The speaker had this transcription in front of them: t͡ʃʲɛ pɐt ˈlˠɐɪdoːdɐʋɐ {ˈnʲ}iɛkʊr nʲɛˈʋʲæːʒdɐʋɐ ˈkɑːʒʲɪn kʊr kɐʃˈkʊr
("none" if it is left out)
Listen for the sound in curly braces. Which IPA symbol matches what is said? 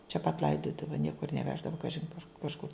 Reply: nʲ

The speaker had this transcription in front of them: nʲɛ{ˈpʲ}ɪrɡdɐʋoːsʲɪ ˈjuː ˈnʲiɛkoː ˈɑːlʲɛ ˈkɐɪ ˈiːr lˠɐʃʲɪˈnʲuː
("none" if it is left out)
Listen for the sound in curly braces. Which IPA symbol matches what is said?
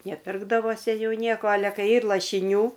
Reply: pʲ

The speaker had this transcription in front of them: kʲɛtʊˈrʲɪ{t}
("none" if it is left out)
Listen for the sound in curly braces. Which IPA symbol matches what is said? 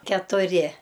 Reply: none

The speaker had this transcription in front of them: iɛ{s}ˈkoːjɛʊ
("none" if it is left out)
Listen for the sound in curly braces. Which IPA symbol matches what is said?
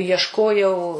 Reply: ʃ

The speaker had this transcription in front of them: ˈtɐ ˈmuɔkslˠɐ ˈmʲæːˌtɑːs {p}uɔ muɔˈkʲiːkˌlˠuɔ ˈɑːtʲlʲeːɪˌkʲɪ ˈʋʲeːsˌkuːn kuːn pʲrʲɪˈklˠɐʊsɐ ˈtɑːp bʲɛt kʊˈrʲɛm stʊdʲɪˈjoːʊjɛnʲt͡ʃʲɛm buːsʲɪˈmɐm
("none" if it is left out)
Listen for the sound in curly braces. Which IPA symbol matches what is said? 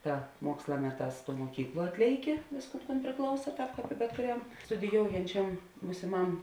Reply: t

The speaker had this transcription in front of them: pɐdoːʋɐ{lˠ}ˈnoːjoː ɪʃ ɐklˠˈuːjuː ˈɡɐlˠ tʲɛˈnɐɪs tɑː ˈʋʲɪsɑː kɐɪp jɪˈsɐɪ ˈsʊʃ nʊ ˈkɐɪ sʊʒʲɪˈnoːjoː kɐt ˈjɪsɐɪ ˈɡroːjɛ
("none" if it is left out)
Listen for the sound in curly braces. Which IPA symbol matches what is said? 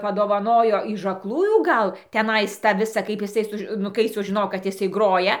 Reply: none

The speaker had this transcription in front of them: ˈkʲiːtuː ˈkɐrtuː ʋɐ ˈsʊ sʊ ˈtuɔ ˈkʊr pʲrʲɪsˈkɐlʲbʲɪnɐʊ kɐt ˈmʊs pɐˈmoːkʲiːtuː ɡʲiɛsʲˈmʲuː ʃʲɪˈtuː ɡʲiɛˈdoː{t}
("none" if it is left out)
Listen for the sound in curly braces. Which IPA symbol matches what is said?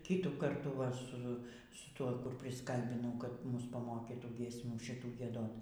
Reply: t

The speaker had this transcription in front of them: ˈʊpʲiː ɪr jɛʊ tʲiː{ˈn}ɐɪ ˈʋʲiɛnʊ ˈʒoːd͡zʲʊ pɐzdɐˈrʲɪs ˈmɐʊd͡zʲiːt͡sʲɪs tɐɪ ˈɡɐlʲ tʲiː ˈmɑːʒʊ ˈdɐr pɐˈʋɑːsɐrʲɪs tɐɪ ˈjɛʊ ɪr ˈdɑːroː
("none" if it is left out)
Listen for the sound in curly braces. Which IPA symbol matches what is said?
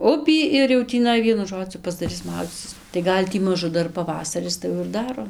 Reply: n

